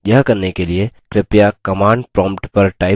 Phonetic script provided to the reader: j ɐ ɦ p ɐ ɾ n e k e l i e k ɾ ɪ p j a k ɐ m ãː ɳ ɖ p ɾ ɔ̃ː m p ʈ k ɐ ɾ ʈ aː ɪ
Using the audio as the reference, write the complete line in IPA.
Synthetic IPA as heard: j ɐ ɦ k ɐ ɾ n e k e l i e k ɾ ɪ p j a k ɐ m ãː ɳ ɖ p ɾ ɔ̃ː m p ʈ p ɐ ɾ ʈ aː ɪ